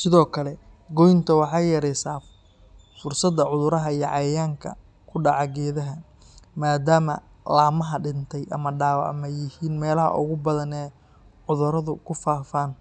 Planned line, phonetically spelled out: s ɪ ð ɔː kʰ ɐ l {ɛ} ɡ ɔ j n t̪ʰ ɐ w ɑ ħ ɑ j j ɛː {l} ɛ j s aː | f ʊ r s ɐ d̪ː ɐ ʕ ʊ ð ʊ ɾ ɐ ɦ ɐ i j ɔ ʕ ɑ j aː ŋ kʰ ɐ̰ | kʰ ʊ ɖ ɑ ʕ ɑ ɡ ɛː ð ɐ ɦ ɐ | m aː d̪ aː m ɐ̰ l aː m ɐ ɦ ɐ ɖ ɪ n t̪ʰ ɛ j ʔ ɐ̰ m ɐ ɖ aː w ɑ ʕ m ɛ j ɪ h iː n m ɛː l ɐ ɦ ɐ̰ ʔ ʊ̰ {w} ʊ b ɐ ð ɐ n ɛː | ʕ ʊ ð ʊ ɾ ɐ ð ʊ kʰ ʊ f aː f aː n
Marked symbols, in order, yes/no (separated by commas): yes, no, no